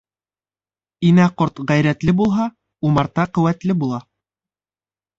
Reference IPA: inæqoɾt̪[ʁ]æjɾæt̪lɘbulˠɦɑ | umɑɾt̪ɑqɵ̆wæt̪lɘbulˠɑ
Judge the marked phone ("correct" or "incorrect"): correct